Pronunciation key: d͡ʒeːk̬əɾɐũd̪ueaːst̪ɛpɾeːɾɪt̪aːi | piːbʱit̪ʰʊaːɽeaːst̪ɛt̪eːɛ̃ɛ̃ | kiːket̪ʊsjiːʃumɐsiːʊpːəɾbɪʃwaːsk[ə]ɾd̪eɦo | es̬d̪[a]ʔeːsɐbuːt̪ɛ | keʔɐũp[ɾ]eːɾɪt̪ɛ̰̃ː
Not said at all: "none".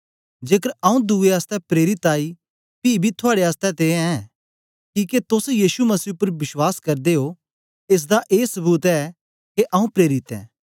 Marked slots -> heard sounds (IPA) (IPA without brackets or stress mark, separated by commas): ɐ, a, ɾ